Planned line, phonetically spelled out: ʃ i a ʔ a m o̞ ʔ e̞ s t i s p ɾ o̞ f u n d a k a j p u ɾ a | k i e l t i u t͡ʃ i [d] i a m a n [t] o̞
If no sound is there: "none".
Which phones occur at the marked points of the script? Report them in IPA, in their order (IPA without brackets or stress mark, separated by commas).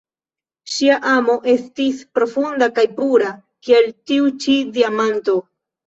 d, t